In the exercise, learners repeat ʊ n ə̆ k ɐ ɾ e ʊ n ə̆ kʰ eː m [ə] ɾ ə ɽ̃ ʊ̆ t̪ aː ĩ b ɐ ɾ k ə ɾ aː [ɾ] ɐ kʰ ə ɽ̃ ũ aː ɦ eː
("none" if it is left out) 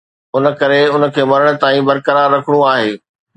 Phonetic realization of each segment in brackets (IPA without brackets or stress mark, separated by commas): ɐ, ɾː